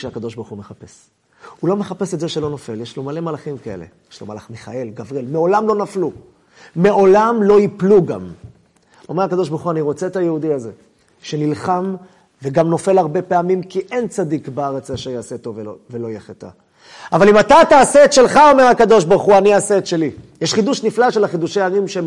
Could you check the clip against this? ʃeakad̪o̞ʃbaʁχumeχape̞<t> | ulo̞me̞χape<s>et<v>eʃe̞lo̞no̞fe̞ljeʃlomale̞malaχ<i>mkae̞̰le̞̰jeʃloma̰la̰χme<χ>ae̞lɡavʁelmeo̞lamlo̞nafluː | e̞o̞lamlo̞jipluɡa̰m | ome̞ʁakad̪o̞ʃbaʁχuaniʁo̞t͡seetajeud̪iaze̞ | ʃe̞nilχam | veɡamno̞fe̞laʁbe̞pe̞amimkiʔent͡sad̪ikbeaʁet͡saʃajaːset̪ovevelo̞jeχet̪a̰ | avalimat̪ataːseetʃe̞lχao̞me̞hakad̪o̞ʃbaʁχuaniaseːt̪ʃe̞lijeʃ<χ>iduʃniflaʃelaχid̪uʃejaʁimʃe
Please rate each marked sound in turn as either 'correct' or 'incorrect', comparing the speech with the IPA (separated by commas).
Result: incorrect, correct, incorrect, correct, correct, correct